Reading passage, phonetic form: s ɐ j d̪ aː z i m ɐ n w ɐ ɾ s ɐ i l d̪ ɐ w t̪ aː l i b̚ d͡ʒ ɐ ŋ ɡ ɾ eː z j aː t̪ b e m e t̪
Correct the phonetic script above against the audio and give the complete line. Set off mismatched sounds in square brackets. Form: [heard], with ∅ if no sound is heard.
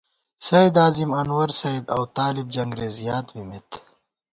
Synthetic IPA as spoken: s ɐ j d̪ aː z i m ɐ n w ɐ ɾ s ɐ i [∅] d̪ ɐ w t̪ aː l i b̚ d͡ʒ ɐ ŋ ɡ ɾ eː z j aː t̪ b [i] m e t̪

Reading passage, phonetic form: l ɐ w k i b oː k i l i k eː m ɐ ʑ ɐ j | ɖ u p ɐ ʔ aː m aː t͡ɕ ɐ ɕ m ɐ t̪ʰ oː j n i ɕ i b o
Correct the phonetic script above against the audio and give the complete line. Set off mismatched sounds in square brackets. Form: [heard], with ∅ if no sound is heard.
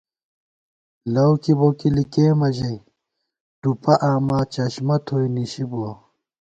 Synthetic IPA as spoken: l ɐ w k i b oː k i l i k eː m ɐ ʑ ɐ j | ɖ u p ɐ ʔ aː m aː t͡ɕ ɐ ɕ m ɐ t̪ʰ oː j n i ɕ i b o

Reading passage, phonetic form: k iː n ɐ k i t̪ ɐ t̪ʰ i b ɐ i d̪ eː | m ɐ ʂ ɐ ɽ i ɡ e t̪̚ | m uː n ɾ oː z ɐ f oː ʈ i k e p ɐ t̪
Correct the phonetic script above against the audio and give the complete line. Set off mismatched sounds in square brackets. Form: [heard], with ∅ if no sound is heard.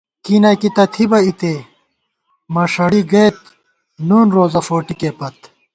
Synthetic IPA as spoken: k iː n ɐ k i t̪ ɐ t̪ʰ i b ɐ i [t̪] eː | m ɐ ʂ ɐ ɽ i ɡ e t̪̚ | [n] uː n ɾ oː z ɐ f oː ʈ i k e p ɐ t̪

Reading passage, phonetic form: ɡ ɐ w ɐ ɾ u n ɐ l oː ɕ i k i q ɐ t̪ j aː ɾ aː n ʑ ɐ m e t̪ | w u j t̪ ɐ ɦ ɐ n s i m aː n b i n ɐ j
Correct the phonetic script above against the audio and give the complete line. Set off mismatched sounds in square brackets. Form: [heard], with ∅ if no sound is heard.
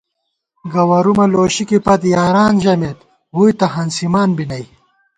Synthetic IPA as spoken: ɡ ɐ w ɐ ɾ u [m] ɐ l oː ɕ i k i [p] ɐ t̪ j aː ɾ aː n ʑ ɐ m e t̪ | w u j t̪ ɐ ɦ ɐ n s i m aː n b i n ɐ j

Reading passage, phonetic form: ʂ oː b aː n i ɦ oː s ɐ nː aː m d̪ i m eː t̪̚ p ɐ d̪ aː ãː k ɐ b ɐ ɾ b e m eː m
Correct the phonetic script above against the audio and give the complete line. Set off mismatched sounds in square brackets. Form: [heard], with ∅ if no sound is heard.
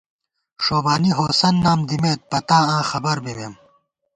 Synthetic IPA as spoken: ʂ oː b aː n i ɦ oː s ɐ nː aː m d̪ i m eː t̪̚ p ɐ [t̪] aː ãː [x] ɐ b ɐ ɾ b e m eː m

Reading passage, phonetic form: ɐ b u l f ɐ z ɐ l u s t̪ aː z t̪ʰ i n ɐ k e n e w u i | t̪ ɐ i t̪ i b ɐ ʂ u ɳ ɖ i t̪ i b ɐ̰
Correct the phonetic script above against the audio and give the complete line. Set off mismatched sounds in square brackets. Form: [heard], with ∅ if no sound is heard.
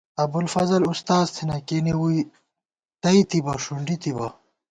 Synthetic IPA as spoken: ɐ b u l f ɐ z ɐ l u s t̪ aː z t̪ʰ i n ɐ k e n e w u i | t̪ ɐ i t̪ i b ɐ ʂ u ɳ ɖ i t̪ i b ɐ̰

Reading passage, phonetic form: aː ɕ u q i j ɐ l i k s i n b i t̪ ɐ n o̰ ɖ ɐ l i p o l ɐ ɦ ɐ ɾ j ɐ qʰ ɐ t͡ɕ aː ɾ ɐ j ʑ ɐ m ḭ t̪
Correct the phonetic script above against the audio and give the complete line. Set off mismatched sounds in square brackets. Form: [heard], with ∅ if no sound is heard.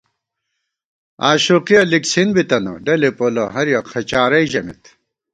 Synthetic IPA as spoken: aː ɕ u q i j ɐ l i k s i n b i t̪ ɐ n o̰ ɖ ɐ l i p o l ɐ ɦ ɐ ɾ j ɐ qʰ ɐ t͡ɕ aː ɾ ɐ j ʑ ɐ m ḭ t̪

